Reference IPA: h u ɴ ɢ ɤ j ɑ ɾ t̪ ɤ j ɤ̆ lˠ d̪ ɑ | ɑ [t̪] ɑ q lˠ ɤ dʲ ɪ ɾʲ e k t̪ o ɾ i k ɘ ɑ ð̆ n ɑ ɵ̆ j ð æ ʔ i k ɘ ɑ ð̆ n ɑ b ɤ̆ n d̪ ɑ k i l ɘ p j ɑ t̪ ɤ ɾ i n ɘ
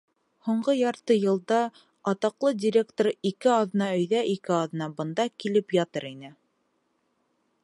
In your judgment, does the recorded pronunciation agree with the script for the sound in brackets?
yes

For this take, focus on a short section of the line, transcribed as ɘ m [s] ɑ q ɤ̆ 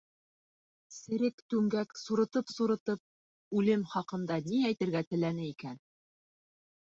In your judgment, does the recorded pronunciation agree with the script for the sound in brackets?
no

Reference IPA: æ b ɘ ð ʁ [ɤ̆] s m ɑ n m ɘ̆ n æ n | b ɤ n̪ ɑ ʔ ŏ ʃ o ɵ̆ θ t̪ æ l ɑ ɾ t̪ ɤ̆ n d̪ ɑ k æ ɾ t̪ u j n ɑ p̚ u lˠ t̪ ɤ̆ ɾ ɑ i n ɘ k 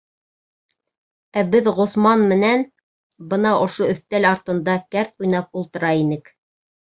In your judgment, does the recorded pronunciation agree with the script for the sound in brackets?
no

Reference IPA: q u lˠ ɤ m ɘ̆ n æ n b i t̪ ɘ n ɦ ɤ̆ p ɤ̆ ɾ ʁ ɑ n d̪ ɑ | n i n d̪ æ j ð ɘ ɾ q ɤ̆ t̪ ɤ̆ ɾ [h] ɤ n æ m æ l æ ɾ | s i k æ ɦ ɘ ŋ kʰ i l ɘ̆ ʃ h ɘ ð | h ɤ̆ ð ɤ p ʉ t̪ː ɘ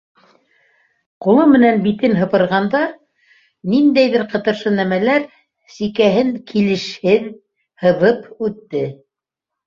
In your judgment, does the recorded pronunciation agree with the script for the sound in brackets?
no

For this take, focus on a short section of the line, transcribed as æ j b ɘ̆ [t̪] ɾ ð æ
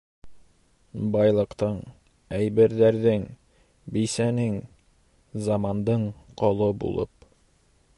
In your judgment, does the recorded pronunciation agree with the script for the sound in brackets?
no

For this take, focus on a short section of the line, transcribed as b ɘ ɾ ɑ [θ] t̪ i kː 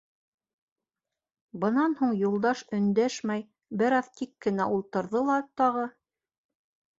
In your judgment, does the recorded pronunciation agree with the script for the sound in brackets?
no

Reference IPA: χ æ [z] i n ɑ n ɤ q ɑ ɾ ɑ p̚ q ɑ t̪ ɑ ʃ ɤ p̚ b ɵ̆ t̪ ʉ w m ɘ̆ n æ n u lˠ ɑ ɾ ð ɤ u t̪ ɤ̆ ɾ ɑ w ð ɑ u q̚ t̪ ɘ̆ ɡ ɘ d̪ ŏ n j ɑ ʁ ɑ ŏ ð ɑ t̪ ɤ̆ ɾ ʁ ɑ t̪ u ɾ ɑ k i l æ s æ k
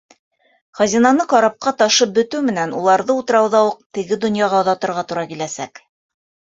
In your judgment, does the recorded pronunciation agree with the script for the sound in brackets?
yes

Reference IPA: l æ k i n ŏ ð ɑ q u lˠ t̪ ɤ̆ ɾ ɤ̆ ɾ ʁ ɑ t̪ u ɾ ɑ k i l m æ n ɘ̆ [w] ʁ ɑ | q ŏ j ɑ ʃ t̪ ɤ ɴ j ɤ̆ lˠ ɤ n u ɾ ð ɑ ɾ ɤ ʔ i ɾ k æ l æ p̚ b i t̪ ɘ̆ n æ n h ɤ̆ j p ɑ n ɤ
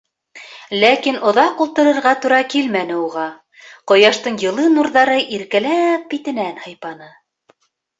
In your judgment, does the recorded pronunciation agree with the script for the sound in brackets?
no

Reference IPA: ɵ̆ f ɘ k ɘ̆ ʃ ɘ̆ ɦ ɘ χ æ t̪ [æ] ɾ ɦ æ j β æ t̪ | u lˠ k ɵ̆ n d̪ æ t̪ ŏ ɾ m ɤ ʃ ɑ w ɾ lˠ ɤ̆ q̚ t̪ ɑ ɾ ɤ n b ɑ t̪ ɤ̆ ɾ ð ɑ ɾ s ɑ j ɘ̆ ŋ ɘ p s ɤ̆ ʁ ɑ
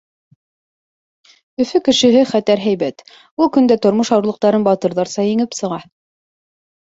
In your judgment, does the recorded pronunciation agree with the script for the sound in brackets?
yes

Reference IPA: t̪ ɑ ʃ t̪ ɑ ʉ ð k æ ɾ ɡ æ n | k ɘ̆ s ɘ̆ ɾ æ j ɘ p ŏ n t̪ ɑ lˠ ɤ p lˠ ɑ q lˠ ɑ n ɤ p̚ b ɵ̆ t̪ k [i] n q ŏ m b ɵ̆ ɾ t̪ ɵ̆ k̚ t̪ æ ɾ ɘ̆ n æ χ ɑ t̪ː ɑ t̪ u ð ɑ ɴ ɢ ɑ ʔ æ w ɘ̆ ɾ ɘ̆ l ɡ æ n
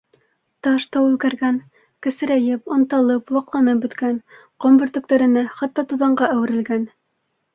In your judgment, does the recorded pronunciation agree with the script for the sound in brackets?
no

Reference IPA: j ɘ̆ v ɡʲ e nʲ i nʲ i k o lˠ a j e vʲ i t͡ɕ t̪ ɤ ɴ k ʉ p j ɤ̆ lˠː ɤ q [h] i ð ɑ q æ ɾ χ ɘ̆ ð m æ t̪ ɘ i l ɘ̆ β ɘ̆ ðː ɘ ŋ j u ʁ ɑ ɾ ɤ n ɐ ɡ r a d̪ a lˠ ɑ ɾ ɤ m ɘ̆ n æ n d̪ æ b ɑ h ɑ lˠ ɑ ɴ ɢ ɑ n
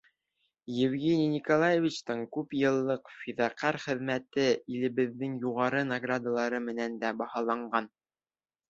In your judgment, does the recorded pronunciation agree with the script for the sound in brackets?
no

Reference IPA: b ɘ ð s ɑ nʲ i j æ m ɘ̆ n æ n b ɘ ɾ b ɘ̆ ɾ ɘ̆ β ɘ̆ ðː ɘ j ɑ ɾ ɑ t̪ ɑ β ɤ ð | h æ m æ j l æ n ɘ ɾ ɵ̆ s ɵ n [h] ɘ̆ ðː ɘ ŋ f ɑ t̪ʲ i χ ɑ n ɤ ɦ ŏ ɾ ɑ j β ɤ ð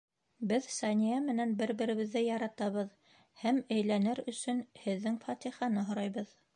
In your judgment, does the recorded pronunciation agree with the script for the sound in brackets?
yes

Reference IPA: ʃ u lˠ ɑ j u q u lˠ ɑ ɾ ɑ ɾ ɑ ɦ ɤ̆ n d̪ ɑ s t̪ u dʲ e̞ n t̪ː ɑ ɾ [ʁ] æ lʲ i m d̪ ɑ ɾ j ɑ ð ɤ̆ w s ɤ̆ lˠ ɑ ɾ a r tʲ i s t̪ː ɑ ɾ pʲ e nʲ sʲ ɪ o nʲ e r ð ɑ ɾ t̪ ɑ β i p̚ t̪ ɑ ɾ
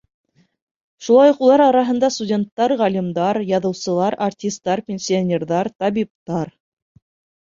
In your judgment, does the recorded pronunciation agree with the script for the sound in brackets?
yes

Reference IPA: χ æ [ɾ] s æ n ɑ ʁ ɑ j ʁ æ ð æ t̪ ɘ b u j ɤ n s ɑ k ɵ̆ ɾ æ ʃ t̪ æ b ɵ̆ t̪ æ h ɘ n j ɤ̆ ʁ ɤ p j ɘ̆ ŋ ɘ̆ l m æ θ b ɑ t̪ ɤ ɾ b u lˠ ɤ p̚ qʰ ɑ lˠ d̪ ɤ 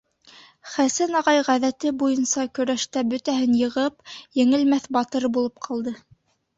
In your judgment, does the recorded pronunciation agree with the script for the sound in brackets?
no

